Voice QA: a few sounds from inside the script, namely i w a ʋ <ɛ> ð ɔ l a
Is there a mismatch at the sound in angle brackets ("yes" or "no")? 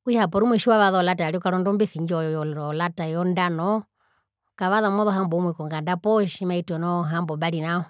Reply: yes